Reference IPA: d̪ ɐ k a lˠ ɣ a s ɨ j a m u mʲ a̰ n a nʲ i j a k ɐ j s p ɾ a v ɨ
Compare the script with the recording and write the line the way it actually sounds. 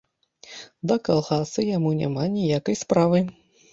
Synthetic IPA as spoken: d̪ ɐ k a lˠ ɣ a s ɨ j a m u nʲ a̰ m a nʲ i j a k ɐ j s p ɾ a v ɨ